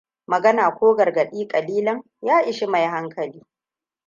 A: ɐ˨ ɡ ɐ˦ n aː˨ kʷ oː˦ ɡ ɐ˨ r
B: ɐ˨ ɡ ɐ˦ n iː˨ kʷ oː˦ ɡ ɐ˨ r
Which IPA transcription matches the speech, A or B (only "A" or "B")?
A